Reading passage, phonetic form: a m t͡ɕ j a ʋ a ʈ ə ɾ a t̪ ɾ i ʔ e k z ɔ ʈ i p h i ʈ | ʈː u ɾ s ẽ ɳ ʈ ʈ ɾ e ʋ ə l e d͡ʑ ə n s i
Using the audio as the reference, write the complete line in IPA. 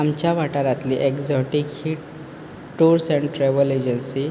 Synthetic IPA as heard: a m t͡ɕ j a ʋ a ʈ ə ɾ a t̪ l i ʔ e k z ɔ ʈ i k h i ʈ | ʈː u ɾ s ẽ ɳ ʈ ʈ ɾ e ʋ ə l e d͡ʑ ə n s i